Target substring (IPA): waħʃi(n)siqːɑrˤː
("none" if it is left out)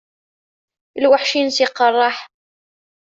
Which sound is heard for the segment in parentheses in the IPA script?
n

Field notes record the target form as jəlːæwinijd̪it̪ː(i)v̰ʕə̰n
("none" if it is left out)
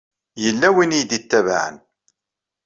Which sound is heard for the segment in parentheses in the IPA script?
æ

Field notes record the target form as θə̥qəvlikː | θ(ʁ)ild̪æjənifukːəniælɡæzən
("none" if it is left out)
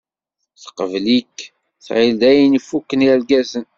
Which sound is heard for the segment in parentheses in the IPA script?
ʕ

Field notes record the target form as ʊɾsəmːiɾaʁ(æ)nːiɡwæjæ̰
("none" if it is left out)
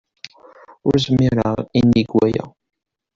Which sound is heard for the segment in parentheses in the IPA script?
i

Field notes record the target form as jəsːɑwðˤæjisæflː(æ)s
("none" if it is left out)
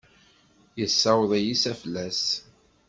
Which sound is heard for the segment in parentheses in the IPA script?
æ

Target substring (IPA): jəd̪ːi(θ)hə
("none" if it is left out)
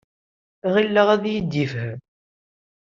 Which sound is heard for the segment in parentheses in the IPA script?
f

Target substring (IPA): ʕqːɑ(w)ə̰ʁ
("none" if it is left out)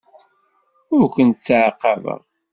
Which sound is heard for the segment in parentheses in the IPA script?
v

